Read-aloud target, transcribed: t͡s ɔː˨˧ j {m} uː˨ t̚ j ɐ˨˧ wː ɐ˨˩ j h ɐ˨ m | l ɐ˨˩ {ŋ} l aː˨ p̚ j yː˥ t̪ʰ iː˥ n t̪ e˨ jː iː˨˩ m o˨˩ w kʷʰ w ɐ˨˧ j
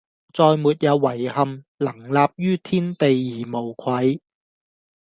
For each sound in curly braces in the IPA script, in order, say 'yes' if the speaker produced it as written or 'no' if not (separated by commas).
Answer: yes, yes